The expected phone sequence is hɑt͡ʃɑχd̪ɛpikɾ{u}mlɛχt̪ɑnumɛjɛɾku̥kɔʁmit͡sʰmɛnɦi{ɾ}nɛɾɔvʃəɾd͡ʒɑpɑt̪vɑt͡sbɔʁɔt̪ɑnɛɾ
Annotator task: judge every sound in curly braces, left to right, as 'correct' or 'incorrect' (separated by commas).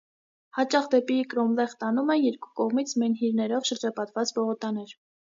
incorrect, correct